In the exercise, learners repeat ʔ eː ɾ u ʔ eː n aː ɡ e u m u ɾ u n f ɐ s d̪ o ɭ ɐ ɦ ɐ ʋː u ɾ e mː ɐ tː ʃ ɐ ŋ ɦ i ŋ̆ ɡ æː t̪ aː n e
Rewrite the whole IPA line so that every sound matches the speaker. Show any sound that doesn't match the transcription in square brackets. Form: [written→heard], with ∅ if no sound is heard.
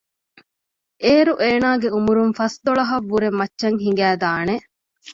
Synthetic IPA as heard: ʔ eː ɾ u ʔ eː n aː ɡ e u m u ɾ u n f ɐ s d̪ o ɭ ɐ ɦ ɐ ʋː u ɾ e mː ɐ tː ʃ ɐ ŋ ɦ i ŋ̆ ɡ æː [t̪→d̪] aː n e